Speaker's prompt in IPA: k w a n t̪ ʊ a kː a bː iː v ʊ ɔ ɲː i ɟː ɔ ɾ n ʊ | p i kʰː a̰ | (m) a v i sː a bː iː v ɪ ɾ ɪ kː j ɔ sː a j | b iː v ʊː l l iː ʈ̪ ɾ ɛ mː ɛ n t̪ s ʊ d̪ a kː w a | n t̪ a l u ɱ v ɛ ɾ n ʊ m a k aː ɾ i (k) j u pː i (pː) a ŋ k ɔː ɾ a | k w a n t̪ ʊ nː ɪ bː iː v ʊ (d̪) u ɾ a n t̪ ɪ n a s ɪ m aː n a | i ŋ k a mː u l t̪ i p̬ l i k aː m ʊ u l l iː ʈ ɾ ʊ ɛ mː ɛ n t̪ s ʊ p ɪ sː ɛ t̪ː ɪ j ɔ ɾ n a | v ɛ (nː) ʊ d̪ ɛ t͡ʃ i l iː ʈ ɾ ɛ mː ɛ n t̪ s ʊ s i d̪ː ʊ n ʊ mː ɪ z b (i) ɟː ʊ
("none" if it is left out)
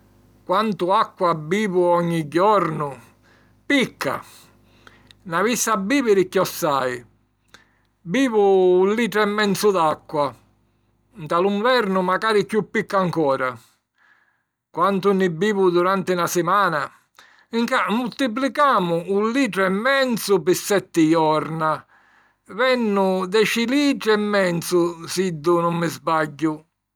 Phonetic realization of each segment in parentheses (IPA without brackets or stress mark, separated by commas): n, k, kː, d̪, nː, a